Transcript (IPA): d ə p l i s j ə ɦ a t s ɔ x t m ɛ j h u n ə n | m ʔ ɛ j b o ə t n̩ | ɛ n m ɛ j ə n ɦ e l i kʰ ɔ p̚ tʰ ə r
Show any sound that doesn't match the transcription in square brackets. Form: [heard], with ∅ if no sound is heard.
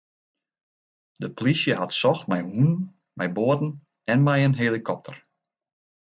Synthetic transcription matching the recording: d ə p l i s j ə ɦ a t s ɔ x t m ɛ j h u n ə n | m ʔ ɛ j b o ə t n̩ | ɛ n m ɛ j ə n ɦ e l i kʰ ɔ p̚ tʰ ə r